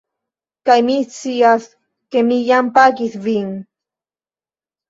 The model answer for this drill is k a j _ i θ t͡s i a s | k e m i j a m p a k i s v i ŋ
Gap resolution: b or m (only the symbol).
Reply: m